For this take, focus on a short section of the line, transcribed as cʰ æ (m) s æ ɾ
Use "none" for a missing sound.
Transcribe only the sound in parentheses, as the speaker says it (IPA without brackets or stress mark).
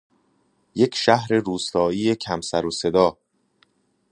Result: m